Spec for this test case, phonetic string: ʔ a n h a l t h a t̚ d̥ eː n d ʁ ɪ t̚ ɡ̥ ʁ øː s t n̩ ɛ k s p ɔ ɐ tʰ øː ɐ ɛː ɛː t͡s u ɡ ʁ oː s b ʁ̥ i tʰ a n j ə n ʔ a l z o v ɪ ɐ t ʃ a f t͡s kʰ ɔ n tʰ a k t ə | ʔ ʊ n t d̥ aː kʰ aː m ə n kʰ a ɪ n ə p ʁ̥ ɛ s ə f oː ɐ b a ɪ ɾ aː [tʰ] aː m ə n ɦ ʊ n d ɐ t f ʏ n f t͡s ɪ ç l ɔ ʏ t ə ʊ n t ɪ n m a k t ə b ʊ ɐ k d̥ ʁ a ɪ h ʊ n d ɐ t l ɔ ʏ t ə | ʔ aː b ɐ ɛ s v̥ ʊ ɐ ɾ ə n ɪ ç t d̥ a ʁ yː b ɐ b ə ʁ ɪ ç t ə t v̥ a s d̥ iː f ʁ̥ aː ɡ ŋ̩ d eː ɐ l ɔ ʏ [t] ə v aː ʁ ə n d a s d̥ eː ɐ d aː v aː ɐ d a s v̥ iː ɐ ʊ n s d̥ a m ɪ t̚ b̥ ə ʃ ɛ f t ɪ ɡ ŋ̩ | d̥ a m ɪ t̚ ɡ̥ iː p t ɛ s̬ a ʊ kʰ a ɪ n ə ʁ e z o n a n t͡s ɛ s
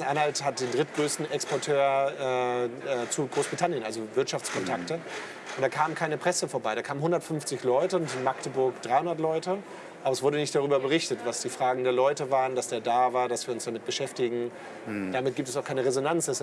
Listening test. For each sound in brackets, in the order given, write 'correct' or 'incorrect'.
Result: incorrect, correct

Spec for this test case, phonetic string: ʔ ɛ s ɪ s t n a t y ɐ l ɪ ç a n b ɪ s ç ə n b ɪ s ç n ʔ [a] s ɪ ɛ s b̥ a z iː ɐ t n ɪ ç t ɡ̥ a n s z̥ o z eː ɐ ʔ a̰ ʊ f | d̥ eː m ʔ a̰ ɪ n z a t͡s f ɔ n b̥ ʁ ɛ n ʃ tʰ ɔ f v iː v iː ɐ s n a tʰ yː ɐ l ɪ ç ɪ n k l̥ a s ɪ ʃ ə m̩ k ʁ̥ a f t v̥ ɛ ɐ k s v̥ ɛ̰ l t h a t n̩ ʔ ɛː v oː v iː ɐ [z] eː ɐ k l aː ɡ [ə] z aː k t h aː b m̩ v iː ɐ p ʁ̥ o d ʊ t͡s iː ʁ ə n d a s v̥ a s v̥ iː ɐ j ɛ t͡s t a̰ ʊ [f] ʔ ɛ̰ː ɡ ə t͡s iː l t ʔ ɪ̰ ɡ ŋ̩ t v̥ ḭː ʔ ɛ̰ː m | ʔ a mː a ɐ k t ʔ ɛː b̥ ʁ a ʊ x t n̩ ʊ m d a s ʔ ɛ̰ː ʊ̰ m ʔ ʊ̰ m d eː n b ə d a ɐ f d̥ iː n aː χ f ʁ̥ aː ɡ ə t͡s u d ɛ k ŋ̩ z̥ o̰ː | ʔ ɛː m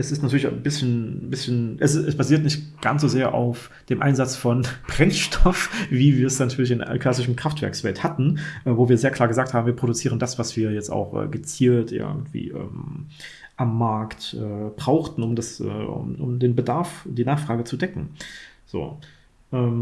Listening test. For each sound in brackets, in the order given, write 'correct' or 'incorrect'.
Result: incorrect, correct, correct, incorrect

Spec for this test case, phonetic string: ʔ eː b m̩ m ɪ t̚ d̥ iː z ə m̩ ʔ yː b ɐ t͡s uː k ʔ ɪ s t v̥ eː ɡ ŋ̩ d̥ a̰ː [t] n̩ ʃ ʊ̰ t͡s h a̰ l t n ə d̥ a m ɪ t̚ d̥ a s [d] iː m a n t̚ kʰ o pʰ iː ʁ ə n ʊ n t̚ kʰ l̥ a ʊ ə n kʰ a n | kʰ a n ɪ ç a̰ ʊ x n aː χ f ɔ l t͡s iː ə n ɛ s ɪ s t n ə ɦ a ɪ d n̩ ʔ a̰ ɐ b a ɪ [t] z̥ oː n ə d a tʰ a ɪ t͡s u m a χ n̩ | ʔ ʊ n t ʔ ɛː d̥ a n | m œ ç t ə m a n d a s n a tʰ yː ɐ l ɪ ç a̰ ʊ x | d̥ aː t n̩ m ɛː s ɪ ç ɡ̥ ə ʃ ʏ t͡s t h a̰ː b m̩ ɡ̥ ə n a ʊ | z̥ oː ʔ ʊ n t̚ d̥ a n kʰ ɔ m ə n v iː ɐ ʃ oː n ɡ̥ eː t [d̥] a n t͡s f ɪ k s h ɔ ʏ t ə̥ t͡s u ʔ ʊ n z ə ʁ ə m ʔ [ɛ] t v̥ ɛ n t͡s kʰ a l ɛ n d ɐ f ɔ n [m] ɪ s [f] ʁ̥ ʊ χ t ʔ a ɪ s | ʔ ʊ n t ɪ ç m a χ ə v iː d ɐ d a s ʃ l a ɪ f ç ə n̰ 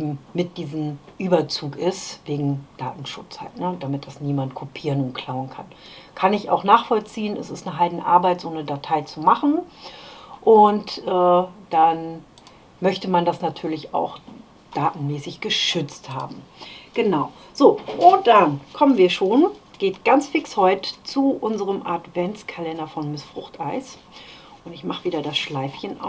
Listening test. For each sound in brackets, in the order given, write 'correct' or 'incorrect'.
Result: correct, incorrect, correct, incorrect, incorrect, correct, correct

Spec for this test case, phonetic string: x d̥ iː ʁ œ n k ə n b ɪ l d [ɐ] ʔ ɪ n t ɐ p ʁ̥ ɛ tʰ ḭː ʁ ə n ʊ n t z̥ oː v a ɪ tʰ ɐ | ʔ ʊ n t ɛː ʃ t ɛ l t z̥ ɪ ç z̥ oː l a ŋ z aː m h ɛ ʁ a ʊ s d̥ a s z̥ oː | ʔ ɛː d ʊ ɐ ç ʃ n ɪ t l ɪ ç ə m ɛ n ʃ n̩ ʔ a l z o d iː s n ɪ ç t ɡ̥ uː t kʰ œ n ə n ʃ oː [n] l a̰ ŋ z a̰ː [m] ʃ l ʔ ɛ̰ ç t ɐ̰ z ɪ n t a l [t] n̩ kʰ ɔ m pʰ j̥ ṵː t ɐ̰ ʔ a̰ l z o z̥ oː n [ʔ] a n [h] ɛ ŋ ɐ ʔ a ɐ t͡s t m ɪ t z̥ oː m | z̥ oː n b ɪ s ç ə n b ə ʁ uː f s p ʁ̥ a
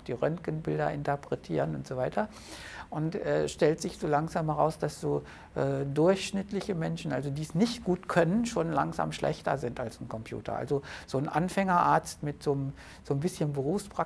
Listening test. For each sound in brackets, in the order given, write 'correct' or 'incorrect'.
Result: correct, correct, correct, incorrect, correct, incorrect

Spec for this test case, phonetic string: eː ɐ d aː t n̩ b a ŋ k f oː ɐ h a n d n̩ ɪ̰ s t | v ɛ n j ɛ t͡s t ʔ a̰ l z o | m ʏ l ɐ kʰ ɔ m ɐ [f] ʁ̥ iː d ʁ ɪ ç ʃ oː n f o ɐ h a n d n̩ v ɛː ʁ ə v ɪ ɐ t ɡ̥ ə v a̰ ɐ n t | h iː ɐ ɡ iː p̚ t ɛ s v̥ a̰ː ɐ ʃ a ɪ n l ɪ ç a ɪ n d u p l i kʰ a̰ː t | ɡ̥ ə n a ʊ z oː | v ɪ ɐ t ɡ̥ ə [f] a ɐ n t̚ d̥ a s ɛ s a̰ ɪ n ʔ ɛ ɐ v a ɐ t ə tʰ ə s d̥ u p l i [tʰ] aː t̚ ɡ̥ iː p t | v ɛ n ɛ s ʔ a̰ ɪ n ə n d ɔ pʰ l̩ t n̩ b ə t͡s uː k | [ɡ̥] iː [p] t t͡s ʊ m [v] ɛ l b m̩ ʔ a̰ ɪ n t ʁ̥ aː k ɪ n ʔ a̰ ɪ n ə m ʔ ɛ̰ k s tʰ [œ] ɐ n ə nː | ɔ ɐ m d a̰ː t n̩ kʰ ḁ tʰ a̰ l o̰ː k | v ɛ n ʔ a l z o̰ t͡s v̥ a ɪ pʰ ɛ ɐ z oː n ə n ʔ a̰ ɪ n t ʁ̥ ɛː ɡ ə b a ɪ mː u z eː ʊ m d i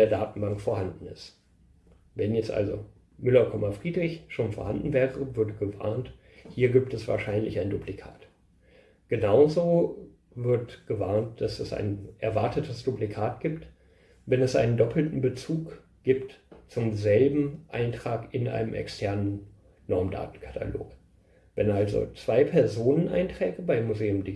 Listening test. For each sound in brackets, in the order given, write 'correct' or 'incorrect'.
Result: correct, incorrect, incorrect, correct, correct, incorrect, incorrect

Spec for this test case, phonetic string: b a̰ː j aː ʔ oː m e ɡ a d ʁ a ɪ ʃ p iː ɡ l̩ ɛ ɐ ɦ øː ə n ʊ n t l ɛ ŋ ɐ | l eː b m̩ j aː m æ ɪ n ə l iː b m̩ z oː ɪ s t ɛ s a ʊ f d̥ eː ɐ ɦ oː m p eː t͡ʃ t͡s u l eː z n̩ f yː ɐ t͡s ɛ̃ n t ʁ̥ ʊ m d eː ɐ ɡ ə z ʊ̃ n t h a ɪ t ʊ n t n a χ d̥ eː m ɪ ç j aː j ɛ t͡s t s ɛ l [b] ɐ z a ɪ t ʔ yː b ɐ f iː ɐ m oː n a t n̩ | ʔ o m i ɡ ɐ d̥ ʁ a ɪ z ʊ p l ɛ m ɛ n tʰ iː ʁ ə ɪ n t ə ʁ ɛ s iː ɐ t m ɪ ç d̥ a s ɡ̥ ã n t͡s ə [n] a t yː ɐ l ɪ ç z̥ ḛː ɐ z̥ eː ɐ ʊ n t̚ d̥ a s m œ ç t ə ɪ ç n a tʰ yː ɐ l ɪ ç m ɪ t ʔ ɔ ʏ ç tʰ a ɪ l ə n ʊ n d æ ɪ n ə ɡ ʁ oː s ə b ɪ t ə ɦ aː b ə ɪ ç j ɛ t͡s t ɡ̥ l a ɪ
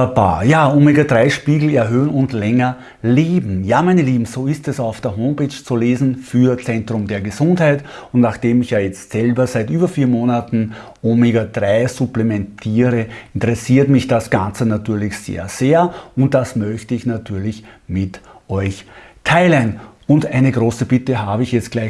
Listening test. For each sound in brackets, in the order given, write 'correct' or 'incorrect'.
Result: correct, correct

